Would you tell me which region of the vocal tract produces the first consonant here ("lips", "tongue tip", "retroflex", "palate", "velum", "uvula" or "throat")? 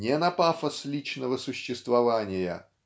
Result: tongue tip